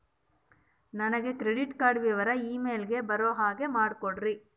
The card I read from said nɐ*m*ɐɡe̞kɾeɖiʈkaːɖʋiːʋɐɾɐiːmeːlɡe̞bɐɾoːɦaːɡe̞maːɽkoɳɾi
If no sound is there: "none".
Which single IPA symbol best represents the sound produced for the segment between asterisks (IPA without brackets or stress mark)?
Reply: n